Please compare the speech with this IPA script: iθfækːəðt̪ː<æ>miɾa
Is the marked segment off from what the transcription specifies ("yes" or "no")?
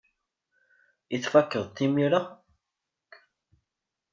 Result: yes